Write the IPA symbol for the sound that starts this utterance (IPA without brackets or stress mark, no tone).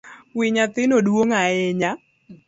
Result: w